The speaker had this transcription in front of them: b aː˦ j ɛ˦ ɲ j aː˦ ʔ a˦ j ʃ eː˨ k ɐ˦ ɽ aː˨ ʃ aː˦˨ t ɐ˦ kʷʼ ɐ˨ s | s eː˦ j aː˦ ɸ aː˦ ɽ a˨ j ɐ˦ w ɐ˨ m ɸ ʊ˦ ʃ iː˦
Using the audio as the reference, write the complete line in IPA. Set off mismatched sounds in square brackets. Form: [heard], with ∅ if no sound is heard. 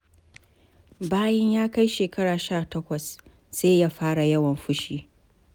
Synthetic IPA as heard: b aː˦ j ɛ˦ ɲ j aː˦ [k] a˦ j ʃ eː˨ k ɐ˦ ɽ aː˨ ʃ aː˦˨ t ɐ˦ [kʷ] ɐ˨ s | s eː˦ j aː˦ ɸ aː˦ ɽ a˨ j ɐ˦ w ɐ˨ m ɸ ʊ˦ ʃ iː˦